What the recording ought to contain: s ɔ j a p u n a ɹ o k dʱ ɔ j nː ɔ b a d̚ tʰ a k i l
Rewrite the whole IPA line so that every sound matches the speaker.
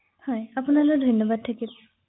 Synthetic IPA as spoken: h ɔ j a p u n a l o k dʱ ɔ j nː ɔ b a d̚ tʰ a k i l